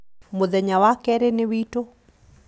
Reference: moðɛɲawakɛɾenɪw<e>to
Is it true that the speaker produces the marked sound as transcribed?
no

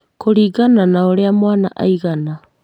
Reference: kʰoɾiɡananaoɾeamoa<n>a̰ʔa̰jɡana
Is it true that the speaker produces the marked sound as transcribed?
yes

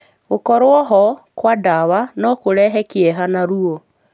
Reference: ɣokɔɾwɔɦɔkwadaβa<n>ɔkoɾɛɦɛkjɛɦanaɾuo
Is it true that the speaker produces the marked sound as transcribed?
yes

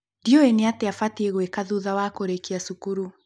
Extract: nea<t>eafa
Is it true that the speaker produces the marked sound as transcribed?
yes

